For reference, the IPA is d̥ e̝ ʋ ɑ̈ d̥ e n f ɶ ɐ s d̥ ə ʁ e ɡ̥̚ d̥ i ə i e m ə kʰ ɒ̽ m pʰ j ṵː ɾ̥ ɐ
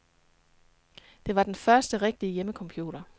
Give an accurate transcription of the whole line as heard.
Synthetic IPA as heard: d̥ e̝ ʋ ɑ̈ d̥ e n f ɶ ɐ s d̥ ə ʁ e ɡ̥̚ d̥ i ə j e m ə kʰ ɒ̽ m pʰ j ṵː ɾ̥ ɐ